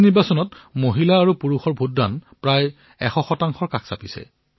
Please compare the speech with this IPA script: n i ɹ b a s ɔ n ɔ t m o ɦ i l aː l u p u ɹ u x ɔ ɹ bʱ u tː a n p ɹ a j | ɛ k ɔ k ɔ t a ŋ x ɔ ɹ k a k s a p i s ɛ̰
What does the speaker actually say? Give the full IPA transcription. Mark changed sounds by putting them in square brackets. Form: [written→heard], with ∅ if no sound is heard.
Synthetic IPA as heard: n i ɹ b a s ɔ n ɔ t m o ɦ i l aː [l→ɹ] u p u ɹ u x ɔ ɹ bʱ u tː a n p ɹ a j | ɛ [k→x] ɔ [k→x] ɔ t a ŋ x ɔ ɹ k a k s a p i s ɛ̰